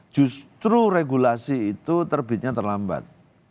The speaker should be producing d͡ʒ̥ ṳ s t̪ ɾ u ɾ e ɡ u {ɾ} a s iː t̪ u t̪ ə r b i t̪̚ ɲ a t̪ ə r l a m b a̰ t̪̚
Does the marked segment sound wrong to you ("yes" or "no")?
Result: yes